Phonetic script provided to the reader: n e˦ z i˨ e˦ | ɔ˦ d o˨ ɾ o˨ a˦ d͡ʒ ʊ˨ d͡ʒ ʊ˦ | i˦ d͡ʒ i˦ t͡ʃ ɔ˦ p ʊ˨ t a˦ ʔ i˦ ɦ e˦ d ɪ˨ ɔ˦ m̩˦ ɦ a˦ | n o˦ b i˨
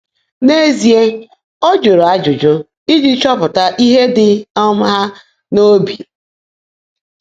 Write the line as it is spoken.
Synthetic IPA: n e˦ z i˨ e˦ | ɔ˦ d͡ʒ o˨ ɾ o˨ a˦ d͡ʒ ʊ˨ d͡ʒ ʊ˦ | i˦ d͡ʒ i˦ t͡ʃ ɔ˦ p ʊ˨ t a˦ ʔ i˦ ɦ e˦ d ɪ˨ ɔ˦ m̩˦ ɦ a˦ | n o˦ b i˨